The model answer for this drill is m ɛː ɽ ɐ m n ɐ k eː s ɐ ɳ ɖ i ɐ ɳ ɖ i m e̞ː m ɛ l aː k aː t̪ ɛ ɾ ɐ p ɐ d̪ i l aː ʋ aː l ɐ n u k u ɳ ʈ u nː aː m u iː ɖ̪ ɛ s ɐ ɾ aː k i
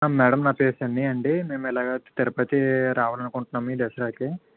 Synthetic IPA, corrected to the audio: m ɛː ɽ ɐ m n ɐ p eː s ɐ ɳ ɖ i ɐ ɳ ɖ i m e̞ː m ɛ l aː ɡ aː t̪ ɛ ɾ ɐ p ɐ t̪ i ɾ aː ʋ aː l ɐ n u k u ɳ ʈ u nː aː m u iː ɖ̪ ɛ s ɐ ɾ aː k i

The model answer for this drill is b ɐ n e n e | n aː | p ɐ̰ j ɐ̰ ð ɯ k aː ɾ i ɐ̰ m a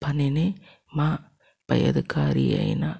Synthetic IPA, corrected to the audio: p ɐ n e n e | m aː | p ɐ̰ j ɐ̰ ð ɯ k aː ɾ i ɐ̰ n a

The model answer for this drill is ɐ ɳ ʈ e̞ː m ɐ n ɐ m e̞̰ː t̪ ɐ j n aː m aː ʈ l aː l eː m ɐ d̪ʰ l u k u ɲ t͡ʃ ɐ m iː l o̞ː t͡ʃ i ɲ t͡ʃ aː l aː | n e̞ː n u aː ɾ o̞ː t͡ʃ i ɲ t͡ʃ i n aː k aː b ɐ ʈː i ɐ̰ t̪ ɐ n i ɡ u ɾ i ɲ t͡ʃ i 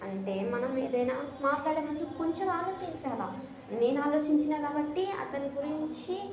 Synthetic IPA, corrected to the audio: ɐ ɳ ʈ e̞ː m ɐ n ɐ m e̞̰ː d̪ ɐ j n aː m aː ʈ l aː ɽ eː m ɐ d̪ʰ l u k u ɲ t͡ʃ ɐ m aː l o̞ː t͡ʃ i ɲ t͡ʃ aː l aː | n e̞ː n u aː l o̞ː t͡ʃ i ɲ t͡ʃ i n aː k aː b ɐ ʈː i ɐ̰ t̪ ɐ n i ɡ u ɾ i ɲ t͡ʃ i

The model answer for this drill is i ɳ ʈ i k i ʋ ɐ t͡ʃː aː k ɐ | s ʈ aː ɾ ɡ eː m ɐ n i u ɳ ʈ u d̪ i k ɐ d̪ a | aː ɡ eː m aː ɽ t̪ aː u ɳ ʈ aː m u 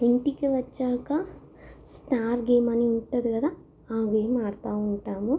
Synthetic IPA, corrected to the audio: i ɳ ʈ i k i ʋ ɐ t͡ʃː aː k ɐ | s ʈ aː ɾ ɡ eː m ɐ n i u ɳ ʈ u d̪ i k ɐ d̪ a | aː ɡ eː m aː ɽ t̪ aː u ɳ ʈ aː m u

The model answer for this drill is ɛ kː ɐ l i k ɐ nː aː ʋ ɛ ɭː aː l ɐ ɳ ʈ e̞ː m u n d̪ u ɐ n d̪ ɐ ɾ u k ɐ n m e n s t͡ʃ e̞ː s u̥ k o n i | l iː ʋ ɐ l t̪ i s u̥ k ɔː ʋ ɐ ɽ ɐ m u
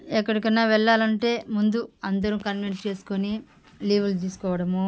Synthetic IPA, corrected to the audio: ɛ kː ɐ ɽ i k ɐ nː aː ʋ ɛ ɭː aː l ɐ ɳ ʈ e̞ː m u n d̪ u ɐ n d̪ ɐ ɾ u k ɐ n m e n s t͡ʃ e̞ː s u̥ k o n i | l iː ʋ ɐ l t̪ iː s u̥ k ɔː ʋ ɐ ɽ ɐ m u

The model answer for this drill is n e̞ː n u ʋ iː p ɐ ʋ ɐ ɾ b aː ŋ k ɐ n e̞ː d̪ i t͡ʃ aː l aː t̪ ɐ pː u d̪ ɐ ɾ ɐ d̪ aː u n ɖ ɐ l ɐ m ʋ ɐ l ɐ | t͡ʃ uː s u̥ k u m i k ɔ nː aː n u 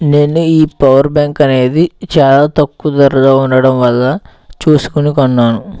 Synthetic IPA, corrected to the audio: n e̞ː n u iː p ɐ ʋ ɐ ɾ b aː ŋ k ɐ n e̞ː d̪ i t͡ʃ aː l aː t̪ ɐ kː u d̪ ɐ ɾ ɐ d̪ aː u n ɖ ɐ ɽ ɐ m ʋ ɐ lː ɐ | t͡ʃ uː s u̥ k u n i k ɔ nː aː n u

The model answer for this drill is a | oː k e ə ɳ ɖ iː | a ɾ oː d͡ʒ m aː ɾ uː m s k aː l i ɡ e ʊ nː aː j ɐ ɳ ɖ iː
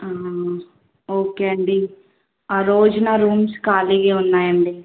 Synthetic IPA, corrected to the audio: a | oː k e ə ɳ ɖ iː | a ɾ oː d͡ʒ n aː ɾ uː m s k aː l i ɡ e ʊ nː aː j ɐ ɳ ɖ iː

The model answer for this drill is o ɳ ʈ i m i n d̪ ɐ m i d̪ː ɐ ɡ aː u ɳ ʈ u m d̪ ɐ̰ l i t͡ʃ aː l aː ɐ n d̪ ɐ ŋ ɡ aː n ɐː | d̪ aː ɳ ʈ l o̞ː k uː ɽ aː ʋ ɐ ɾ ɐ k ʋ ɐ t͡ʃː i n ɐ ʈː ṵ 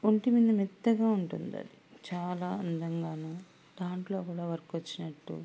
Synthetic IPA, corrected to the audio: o ɳ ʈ i m i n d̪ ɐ m i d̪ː ɐ ɡ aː u ɳ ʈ u n d̪ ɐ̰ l i t͡ʃ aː l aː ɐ n d̪ ɐ ŋ ɡ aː n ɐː | d̪ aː ɳ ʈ l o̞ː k uː ɽ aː ʋ ɐ ɾ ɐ k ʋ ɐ t͡ʃː i n ɐ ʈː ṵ

